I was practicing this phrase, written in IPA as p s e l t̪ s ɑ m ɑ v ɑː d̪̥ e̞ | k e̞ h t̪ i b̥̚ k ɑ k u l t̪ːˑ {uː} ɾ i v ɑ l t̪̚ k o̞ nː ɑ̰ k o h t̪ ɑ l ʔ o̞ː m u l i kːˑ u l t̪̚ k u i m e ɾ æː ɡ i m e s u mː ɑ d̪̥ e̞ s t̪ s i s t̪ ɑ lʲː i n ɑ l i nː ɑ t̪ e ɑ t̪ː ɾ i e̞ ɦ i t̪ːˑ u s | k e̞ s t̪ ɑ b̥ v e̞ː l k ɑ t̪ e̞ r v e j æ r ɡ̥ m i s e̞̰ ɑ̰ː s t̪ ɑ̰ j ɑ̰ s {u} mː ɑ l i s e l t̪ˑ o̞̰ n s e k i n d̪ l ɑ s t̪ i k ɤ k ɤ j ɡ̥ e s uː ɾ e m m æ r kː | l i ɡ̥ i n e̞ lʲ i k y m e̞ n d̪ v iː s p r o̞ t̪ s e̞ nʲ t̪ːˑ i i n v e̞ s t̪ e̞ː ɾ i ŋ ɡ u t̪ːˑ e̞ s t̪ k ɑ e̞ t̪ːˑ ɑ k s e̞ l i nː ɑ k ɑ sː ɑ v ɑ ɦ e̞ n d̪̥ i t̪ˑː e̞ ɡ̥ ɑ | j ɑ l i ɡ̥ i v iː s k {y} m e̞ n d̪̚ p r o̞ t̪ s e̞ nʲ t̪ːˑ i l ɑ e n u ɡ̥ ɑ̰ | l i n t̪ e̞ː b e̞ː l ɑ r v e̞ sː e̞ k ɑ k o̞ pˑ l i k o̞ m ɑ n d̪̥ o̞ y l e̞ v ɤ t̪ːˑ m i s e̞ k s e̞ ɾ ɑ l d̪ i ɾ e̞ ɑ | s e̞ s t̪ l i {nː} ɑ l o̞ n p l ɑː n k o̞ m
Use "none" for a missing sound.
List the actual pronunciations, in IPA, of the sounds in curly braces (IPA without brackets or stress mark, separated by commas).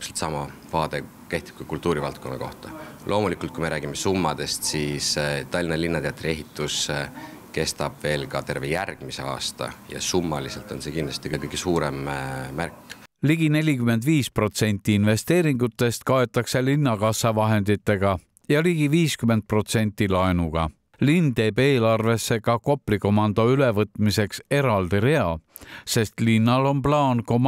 uː, u, y, nː